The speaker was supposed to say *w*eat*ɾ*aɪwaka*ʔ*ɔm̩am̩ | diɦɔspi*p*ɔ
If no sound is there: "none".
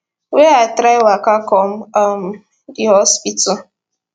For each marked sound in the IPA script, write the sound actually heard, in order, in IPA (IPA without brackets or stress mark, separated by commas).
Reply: w, ɾ, k, t